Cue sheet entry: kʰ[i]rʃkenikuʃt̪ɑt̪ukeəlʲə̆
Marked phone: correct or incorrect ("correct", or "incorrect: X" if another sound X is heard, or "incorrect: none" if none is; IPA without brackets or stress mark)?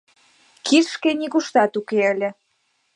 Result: correct